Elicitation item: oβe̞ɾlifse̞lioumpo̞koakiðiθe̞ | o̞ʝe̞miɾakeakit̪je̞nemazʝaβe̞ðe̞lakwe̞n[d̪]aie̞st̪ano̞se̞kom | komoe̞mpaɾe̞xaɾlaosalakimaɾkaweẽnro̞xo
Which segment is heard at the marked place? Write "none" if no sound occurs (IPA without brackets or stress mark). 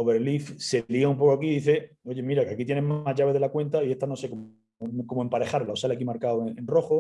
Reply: t̪